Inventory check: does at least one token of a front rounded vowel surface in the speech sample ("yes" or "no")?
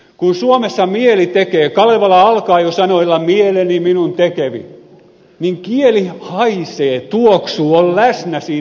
no